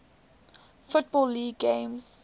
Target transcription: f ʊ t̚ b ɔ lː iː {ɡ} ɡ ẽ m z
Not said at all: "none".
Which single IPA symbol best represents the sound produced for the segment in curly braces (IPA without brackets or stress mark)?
ɡ